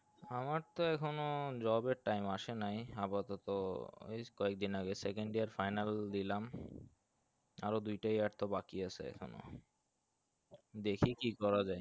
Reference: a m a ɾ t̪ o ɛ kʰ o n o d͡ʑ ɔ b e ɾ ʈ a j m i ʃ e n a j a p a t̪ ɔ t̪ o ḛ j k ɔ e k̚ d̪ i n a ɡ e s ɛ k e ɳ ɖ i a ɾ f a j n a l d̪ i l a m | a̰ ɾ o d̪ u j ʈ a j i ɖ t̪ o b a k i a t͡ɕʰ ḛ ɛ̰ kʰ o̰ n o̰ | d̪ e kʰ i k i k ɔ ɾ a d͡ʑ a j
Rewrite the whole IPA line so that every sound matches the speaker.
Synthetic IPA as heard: a m a ɾ t̪ o ɛ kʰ o n o d͡ʑ ɔ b e ɾ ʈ a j m a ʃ e n a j a p a t̪ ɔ t̪ o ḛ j k ɔ e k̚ d̪ i n a ɡ e s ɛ k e ɳ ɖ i a ɾ f a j n a l d̪ i l a m | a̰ ɾ o d̪ u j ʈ a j a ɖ t̪ o b a k i a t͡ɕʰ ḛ ɛ̰ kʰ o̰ n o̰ | d̪ e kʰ i k i k ɔ ɾ a d͡ʑ a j